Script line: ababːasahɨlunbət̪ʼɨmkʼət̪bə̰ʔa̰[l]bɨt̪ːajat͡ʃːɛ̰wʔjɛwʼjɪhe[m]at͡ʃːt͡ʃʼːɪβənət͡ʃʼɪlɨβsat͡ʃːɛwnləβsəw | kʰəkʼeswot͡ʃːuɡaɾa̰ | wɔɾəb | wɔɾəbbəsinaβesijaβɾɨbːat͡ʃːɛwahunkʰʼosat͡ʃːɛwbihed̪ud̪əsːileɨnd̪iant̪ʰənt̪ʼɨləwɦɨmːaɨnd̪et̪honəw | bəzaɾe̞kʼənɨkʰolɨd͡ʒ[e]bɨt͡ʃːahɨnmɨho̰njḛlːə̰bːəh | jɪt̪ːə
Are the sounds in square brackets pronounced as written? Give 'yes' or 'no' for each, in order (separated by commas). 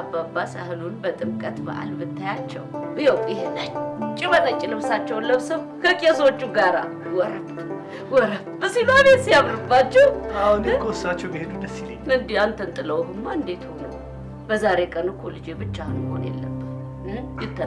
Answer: yes, no, yes